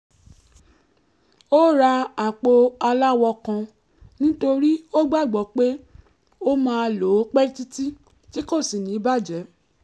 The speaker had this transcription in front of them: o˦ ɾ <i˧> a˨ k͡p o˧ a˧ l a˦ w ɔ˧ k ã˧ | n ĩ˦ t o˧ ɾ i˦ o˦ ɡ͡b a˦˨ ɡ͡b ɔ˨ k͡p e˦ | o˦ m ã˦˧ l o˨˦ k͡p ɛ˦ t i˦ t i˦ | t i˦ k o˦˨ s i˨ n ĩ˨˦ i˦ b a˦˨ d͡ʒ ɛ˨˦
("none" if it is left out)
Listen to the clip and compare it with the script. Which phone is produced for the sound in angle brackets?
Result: a˧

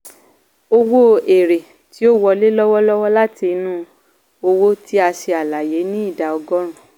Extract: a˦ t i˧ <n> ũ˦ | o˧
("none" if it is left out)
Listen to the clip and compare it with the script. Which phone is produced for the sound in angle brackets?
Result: n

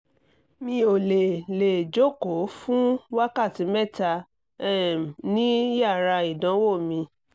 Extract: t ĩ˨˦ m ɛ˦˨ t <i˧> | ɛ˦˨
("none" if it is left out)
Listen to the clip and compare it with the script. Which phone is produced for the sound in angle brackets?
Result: a˧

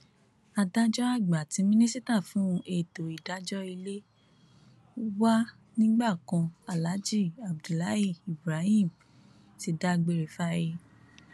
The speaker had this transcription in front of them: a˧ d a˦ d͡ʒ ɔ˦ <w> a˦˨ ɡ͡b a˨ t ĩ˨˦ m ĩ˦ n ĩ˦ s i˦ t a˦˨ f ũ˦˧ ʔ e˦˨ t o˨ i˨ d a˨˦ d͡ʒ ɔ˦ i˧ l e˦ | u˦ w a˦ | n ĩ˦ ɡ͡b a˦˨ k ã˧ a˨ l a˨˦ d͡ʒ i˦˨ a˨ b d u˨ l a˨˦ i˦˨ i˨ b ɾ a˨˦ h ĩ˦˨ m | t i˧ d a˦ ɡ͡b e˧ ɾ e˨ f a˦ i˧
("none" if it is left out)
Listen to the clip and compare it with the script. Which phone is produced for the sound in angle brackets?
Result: none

